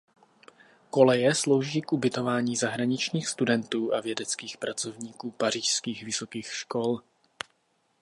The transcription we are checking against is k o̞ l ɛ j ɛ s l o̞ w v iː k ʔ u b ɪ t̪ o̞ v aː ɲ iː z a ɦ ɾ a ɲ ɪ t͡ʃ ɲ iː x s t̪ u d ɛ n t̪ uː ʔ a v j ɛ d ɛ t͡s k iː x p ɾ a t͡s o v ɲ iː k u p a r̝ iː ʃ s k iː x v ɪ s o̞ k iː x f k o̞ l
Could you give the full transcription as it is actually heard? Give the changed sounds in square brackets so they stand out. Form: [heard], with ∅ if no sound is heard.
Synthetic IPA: k o̞ l ɛ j ɛ s l o̞ w [ʒ] iː k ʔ u b ɪ t̪ o̞ v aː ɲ iː z a ɦ ɾ a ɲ ɪ t͡ʃ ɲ iː x s t̪ u d ɛ n t̪ uː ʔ a v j ɛ d ɛ t͡s k iː x p ɾ a t͡s o v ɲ iː k [uː] p a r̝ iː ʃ s k iː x v ɪ s o̞ k iː x [ʃ] k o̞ l